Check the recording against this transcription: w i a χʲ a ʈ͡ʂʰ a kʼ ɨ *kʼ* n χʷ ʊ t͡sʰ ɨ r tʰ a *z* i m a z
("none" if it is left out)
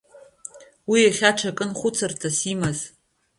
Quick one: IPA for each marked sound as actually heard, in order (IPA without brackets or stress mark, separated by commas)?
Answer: none, s